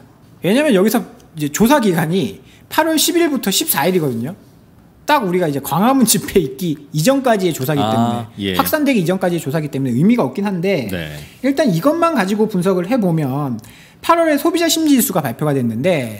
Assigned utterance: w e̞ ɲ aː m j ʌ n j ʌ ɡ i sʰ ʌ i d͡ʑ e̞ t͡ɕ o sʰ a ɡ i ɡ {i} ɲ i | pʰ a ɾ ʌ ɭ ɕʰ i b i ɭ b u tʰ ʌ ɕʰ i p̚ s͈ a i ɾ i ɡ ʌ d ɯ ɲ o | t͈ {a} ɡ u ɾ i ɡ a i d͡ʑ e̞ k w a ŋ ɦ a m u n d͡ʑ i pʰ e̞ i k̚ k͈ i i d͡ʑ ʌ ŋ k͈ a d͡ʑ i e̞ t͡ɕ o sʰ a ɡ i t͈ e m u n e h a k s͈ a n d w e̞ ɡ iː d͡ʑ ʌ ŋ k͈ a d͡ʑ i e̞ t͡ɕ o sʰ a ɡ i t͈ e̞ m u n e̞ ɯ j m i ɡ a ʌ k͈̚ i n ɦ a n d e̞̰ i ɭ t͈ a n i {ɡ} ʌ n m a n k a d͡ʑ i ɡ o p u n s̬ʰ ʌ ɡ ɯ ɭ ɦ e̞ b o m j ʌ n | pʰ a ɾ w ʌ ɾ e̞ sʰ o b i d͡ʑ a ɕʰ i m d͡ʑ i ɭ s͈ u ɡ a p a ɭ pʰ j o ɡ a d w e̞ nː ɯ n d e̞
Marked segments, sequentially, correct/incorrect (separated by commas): incorrect, correct, correct